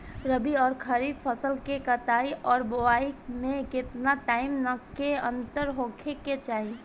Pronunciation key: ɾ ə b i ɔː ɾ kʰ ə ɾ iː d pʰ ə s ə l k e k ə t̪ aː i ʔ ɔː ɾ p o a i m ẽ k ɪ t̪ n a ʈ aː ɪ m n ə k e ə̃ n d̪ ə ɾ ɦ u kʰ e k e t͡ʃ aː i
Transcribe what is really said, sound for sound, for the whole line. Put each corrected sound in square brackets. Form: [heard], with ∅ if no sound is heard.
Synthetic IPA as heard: ɾ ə b i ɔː ɾ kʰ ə ɾ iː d pʰ ə s ə l k e k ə t̪ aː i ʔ ɔː ɾ [b] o a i m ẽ k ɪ t̪ n a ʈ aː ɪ m n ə k e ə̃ n [t̪] ə ɾ ɦ [o] kʰ e k e t͡ʃ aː i